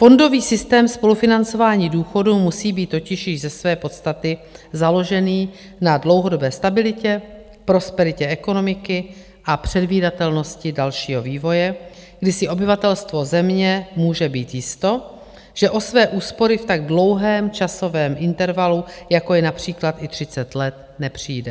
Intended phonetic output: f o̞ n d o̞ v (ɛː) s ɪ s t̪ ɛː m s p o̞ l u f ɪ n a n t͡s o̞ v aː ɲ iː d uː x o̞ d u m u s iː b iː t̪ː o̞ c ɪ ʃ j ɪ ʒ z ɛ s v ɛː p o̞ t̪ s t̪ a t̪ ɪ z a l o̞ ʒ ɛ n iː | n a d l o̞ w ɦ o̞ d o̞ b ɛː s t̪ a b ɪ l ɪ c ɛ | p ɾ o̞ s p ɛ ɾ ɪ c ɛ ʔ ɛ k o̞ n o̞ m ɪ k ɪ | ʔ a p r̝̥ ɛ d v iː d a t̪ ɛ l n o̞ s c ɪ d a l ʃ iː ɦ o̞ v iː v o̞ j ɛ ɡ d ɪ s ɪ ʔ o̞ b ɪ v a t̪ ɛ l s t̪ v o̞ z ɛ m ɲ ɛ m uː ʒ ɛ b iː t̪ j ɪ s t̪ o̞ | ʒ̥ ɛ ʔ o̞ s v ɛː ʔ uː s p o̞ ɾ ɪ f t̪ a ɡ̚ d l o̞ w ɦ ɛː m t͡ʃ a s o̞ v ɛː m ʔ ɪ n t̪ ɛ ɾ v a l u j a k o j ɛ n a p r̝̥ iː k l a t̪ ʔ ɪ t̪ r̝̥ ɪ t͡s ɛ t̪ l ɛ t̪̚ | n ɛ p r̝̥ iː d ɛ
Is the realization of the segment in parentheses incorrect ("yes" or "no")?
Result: yes